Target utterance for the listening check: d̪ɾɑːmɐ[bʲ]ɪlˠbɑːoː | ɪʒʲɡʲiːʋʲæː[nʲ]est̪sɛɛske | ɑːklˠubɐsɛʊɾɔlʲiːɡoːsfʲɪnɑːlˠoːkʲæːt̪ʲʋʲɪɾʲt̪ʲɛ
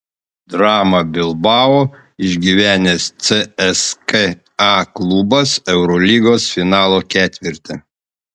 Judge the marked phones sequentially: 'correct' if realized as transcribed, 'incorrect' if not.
correct, correct

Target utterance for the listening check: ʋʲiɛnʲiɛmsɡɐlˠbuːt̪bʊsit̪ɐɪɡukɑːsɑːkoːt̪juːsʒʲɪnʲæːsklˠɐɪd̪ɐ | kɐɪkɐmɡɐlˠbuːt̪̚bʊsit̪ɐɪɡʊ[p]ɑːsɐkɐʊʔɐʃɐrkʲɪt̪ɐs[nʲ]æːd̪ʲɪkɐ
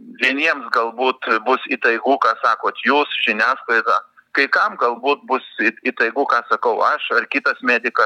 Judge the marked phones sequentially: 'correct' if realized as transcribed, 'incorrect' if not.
incorrect: k, incorrect: mʲ

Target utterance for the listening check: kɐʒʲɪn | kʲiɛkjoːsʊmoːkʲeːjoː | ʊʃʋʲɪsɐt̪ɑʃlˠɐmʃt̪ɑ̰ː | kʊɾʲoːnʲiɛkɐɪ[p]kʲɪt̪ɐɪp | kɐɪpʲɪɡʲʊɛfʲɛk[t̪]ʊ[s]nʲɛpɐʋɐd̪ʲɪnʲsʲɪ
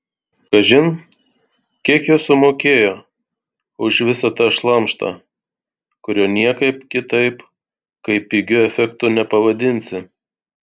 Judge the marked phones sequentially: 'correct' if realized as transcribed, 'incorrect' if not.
correct, correct, incorrect: none

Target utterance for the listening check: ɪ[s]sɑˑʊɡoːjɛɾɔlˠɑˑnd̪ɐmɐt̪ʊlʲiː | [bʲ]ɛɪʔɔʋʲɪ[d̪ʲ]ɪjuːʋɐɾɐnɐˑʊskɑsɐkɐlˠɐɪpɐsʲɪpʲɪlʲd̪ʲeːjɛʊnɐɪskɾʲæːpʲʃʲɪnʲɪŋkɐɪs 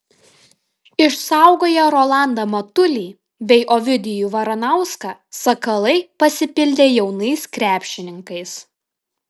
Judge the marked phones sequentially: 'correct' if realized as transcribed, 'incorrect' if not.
incorrect: ʃ, correct, correct

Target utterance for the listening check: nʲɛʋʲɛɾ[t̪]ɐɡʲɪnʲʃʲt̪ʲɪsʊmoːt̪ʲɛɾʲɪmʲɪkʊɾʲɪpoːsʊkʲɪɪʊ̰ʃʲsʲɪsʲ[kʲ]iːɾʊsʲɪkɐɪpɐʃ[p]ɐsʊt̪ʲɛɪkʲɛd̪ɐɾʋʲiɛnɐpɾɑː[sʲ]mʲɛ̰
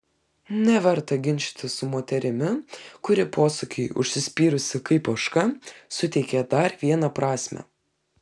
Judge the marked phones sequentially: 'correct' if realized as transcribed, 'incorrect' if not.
correct, incorrect: pʲ, incorrect: k, correct

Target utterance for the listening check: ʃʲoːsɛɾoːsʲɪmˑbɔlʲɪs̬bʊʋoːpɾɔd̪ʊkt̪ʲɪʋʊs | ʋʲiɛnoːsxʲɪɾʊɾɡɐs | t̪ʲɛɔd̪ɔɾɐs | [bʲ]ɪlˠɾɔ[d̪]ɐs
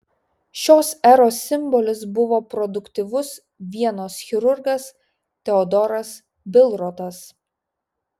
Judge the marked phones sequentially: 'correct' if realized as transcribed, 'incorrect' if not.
correct, incorrect: t̪

